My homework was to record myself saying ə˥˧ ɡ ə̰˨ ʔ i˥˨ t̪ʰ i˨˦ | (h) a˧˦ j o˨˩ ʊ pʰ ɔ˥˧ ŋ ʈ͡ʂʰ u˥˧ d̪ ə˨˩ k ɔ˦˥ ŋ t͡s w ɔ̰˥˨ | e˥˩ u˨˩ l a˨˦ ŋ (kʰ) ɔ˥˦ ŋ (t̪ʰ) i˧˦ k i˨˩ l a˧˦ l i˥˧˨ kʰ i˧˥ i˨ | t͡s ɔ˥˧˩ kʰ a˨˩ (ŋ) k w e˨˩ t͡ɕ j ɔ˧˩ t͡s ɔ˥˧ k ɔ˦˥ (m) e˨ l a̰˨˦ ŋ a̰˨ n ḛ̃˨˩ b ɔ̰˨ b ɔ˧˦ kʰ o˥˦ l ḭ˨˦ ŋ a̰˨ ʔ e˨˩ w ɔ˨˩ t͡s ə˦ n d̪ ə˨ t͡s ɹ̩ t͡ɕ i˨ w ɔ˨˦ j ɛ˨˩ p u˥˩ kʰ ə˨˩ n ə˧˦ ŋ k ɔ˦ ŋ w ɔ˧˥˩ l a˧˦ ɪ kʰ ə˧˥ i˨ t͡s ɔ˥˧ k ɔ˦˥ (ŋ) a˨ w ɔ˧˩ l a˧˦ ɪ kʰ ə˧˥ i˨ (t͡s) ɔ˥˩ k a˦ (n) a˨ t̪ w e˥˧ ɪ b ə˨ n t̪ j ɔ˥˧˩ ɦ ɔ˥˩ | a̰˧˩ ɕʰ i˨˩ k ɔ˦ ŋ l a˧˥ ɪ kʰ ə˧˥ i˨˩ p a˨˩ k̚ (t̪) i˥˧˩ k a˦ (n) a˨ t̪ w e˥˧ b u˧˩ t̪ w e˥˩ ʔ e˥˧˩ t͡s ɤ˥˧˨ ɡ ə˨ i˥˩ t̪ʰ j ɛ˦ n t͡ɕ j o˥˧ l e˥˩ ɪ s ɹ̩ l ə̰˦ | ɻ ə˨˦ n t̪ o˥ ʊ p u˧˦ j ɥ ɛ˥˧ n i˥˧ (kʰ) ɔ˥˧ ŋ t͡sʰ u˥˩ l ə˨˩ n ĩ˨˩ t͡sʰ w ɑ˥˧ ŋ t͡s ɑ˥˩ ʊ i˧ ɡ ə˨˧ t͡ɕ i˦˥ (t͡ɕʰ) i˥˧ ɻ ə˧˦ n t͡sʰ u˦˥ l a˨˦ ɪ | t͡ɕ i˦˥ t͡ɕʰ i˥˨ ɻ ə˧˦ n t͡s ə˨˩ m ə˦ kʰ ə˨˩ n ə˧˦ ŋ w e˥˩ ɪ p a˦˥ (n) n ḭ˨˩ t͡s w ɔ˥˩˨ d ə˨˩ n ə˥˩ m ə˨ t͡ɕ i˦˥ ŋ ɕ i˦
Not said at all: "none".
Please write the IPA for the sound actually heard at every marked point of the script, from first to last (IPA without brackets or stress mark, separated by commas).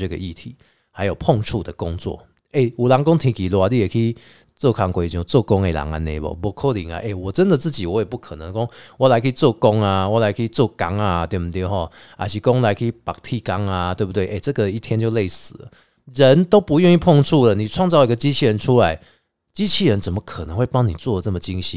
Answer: h, k, t̪ʰ, ŋ, ŋ, ŋ, t͡s, ŋ, t̪ʰ, ŋ, pʰ, t͡ɕʰ, ŋ